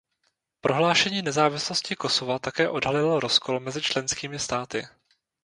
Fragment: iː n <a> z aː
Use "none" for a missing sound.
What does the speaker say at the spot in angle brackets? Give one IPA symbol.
ɛ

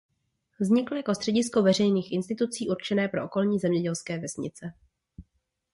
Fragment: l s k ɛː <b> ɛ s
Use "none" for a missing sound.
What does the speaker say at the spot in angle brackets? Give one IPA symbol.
v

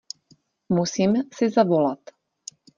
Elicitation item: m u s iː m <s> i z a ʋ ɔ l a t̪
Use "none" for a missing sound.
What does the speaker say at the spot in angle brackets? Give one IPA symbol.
s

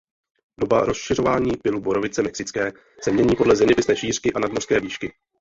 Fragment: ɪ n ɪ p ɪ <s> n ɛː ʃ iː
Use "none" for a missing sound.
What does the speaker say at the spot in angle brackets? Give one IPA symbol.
s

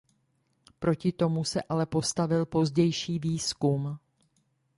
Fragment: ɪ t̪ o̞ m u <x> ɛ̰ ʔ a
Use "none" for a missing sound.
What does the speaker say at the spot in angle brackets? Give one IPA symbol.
s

